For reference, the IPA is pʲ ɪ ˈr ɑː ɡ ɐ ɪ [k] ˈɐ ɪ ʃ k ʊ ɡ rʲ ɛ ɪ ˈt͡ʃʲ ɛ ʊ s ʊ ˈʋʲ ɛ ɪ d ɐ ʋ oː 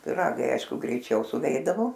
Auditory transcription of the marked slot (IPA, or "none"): none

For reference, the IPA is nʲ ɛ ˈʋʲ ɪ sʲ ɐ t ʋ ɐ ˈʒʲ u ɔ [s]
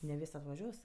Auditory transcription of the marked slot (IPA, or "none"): s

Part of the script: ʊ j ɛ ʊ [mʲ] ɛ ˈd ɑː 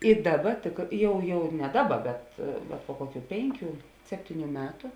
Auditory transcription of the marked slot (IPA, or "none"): nʲ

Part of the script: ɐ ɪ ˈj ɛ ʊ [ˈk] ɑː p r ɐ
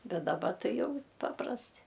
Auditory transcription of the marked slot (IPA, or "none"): p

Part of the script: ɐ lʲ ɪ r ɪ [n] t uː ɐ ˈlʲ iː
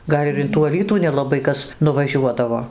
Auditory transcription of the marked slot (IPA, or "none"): n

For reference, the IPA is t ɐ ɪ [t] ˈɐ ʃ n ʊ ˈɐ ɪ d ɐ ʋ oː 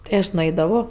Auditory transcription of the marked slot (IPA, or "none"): none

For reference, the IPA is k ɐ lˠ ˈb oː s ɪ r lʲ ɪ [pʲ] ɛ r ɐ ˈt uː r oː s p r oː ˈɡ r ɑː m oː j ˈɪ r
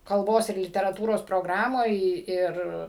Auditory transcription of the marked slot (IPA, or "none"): tʲ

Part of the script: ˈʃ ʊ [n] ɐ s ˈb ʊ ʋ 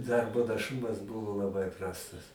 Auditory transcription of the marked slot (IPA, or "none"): m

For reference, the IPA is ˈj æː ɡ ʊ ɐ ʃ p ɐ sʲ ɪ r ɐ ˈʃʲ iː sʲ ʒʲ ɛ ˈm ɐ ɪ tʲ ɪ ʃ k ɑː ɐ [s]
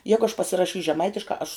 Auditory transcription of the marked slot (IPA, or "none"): ʃ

